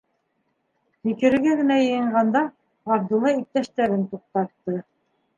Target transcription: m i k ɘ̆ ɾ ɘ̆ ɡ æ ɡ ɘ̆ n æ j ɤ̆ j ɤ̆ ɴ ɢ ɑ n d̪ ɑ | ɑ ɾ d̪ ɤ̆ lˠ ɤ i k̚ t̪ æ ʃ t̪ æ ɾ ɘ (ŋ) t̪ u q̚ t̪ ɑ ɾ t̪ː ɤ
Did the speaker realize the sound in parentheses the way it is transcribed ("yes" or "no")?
no